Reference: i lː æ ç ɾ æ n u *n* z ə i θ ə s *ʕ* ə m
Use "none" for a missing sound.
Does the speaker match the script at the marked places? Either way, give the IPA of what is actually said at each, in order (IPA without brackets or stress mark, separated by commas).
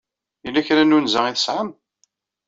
n, ʕ